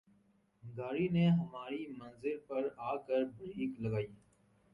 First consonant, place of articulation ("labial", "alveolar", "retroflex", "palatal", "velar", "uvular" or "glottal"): velar